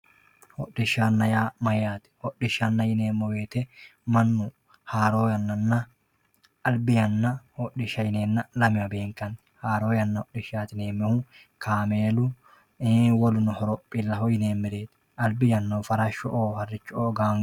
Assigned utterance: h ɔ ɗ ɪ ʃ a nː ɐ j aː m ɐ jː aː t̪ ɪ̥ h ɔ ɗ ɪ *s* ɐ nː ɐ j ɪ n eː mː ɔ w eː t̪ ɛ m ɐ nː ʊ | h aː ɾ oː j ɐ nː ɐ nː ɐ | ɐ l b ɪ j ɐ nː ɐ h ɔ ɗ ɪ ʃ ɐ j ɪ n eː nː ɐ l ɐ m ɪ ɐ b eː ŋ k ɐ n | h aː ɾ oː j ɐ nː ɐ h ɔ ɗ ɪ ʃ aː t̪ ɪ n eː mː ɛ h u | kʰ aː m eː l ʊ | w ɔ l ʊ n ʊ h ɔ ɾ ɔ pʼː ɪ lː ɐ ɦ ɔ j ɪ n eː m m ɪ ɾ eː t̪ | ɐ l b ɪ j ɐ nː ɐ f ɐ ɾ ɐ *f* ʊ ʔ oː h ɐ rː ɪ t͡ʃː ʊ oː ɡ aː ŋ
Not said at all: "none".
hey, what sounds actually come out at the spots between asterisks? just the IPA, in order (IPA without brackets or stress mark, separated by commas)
ʃ, ʃ